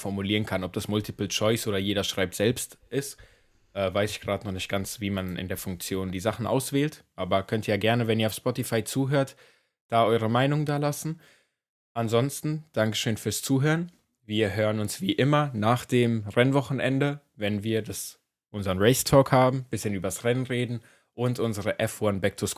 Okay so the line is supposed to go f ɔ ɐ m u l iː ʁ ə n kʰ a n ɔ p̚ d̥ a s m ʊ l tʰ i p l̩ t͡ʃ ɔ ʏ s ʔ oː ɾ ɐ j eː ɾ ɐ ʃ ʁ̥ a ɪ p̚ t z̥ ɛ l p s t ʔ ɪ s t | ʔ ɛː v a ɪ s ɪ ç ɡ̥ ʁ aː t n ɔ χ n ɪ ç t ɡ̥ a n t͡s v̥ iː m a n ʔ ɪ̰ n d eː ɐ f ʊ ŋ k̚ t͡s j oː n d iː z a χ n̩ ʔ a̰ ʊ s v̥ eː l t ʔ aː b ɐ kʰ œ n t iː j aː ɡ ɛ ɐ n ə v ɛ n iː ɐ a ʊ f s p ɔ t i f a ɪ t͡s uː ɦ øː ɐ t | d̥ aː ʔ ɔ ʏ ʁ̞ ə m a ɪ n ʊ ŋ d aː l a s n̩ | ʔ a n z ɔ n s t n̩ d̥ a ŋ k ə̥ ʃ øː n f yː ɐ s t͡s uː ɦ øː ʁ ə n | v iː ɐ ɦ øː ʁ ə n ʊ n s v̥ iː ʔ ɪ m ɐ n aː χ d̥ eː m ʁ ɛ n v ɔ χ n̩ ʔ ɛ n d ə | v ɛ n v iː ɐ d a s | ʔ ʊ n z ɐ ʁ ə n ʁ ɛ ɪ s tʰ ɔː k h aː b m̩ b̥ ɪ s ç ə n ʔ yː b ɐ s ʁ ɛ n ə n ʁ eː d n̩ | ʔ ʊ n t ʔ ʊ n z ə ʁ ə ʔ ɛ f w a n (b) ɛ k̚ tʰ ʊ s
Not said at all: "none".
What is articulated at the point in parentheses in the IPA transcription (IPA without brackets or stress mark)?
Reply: b